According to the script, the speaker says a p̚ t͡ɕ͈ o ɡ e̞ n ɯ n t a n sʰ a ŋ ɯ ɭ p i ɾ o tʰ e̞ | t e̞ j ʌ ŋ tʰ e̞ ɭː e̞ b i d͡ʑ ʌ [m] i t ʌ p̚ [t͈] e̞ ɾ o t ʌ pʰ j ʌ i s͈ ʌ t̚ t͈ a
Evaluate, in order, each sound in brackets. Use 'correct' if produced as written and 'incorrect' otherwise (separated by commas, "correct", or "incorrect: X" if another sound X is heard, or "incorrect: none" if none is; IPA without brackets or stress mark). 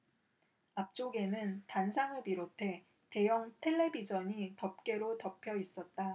incorrect: ɲ, incorrect: k͈